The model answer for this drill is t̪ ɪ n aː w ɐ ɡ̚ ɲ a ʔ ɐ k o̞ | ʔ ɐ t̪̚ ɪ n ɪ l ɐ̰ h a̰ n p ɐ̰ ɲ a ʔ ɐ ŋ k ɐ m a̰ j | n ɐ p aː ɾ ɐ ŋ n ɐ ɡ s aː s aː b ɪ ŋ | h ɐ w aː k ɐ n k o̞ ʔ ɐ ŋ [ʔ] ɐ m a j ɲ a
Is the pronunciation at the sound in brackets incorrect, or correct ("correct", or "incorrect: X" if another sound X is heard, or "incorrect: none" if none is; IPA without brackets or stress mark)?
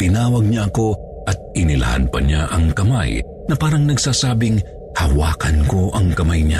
incorrect: k